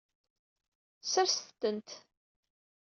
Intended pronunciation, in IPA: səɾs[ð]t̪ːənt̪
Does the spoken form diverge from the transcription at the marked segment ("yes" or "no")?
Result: yes